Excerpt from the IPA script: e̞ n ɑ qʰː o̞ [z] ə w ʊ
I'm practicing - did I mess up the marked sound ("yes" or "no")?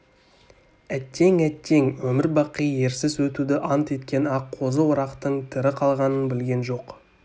no